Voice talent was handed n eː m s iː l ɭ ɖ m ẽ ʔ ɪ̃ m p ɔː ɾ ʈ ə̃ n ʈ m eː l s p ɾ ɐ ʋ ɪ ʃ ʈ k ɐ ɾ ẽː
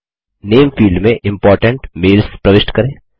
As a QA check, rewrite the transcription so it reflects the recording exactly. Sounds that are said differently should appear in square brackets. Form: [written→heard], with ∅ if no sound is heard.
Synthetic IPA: n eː m [s→f] iː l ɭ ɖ m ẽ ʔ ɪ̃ m p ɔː ɾ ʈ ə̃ [n→ɳ] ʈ m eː l s p ɾ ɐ ʋ ɪ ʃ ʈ k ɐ ɾ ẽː